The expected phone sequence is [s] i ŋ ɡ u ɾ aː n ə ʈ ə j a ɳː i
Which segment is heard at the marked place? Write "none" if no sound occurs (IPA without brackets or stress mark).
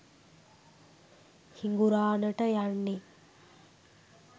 h